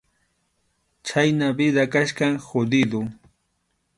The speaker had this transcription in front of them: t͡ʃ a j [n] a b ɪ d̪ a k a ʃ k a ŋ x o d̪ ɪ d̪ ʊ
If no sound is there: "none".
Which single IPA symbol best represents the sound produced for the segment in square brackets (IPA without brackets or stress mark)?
n